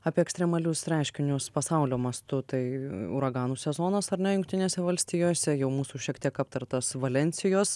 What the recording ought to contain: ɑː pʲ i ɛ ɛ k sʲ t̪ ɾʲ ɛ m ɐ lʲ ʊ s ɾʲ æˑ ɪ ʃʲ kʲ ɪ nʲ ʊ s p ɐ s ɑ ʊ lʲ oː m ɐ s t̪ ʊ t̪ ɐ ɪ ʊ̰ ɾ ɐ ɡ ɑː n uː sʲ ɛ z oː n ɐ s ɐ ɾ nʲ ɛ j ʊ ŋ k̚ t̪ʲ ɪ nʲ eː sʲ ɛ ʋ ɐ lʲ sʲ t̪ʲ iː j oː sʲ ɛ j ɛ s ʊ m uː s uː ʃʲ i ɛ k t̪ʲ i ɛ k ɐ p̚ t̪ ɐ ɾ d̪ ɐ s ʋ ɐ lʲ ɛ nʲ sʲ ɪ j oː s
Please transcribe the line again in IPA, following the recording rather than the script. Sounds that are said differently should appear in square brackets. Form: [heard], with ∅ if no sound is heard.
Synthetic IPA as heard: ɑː pʲ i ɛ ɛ k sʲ t̪ ɾʲ ɛ m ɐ lʲ ʊ s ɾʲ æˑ ɪ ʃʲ kʲ ɪ nʲ ʊ s p ɐ s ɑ ʊ lʲ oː m ɐ s t̪ ʊ t̪ ɐ ɪ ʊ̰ ɾ ɐ ɡ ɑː n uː sʲ ɛ z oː n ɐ s ɐ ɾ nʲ ɛ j ʊ ŋ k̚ t̪ʲ ɪ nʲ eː sʲ ɛ ʋ ɐ lʲ sʲ t̪ʲ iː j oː sʲ ɛ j ɛ [∅] ʊ m uː s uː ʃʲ i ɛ k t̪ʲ i ɛ k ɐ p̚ t̪ ɐ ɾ [t̪] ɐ s ʋ ɐ lʲ ɛ nʲ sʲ ɪ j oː s